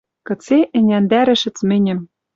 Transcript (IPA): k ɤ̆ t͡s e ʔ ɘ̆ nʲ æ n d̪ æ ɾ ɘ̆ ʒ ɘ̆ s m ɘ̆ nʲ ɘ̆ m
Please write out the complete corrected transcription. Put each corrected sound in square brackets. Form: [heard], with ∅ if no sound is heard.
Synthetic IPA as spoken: k ɤ̆ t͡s e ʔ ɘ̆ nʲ æ n d̪ æ ɾ ɘ̆ [ʃ] ɘ̆ [t͡s] m ɘ̆ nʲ ɘ̆ m